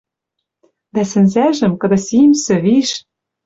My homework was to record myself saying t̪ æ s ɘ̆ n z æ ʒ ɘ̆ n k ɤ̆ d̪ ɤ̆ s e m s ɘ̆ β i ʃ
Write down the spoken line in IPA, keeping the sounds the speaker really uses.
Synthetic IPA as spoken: d̪ æ s ɘ̆ n z æ ʒ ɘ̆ m k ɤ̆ d̪ ɤ̆ s i m s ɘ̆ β i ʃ

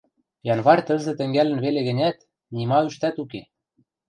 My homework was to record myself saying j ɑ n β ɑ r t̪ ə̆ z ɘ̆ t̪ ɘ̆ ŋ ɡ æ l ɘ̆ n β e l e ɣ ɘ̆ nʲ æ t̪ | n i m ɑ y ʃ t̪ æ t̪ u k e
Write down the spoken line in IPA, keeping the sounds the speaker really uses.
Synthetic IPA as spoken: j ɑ n β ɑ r t̪ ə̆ z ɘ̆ t̪ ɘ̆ ŋ ɡ æ l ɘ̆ n β e l e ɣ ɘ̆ nʲ æ t̪ | n i m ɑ y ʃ t̪ æ t̪ u k e

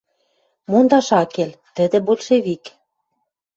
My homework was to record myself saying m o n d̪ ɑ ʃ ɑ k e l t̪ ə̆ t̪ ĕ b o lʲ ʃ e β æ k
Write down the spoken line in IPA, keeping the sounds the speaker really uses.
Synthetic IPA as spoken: m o n d̪ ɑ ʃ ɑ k e l t̪ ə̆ d̪ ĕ b o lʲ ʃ e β i k

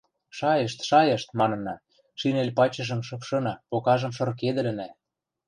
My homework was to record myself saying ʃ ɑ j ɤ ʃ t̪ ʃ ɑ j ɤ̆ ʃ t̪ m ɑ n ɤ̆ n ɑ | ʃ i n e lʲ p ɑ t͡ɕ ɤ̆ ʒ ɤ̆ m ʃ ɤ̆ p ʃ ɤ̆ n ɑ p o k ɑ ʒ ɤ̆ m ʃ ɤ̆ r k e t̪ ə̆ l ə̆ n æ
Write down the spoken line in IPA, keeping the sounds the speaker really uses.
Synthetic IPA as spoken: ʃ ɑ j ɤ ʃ t̪ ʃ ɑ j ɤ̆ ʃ t̪ m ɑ n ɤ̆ n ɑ | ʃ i n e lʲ p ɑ t͡ɕ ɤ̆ ʒ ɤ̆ m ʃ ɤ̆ p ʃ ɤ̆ n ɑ p o k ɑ ʒ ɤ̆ m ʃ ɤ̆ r k e d̪ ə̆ l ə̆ n æ

